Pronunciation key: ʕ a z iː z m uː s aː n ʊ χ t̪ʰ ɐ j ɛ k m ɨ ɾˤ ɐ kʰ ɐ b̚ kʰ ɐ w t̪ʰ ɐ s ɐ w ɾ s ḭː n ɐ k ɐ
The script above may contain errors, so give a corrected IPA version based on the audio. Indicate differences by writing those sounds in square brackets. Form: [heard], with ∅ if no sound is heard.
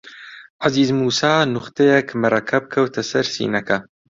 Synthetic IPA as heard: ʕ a z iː z m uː s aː n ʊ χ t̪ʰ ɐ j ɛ k m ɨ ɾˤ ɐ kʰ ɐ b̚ kʰ ɐ w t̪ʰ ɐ s ɐ [∅] ɾ s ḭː n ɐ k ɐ